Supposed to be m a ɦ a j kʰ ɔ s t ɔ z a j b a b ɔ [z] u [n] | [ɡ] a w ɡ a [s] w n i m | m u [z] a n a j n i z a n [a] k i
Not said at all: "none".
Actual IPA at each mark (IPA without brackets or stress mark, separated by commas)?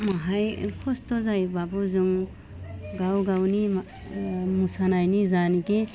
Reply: z, ŋ, ɡ, none, s, i